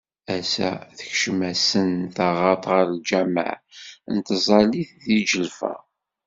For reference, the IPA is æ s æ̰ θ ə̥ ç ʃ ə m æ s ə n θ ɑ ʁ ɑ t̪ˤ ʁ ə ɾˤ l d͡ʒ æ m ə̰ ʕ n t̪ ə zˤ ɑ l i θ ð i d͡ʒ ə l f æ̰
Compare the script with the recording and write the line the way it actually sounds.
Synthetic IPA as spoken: æ s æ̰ θ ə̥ ç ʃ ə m æ s ə n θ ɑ ʁ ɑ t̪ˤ ʁ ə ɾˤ l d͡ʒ æ m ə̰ ʕ n t̪ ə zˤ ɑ l i θ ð i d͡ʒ ə l f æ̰